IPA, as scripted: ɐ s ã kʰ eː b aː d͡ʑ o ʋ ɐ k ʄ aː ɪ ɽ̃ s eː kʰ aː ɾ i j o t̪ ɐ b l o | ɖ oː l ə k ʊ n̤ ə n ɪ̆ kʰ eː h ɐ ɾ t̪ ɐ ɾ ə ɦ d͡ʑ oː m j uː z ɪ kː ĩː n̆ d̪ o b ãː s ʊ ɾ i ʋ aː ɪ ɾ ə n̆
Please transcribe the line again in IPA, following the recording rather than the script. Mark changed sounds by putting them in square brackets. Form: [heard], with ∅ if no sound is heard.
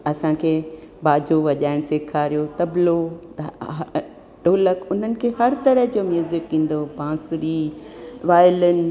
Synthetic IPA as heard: ɐ s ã kʰ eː b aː d͡ʑ o ʋ ɐ [∅] ʄ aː ɪ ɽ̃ s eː kʰ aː ɾ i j o t̪ ɐ b l o | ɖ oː l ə k ʊ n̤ ə n ɪ̆ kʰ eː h ɐ ɾ t̪ ɐ ɾ ə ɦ d͡ʑ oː m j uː z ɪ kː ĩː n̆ d̪ o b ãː s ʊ ɾ i ʋ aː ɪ [l] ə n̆

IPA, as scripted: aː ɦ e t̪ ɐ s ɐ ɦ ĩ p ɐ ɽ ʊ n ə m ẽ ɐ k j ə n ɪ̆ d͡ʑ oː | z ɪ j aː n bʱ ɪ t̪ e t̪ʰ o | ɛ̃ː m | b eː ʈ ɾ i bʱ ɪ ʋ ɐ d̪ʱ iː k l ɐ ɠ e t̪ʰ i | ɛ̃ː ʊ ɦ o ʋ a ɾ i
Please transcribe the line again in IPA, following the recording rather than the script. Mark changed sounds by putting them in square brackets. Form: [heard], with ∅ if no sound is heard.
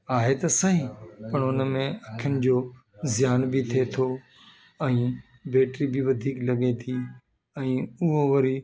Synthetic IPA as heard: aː ɦ e t̪ ɐ s ɐ ɦ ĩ p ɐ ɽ ʊ n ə m ẽ ɐ [kʰ] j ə n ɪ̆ d͡ʑ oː | z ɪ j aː n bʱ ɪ [t̪ʰ] e t̪ʰ o | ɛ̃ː [∅] | b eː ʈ ɾ i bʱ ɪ ʋ ɐ d̪ʱ iː k l ɐ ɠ e t̪ʰ i | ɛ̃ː ʊ ɦ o ʋ [ɐ] ɾ i

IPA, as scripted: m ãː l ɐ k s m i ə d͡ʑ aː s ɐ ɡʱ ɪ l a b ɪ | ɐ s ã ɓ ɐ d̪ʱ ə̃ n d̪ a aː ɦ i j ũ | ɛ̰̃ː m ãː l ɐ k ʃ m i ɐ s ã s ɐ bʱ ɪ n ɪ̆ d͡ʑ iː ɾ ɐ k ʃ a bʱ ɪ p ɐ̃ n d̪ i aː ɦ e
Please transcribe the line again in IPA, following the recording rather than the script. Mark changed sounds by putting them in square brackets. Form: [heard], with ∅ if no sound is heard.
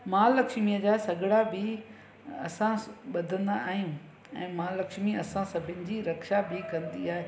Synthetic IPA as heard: m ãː l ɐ k [ʃ] m i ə d͡ʑ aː s ɐ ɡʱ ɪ [ɽ] a b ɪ | ɐ s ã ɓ ɐ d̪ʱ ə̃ n d̪ a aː ɦ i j ũ | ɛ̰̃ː m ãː l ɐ k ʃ m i ɐ s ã s ɐ bʱ ɪ n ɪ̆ d͡ʑ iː ɾ ɐ k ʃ a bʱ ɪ [k] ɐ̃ n d̪ i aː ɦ e

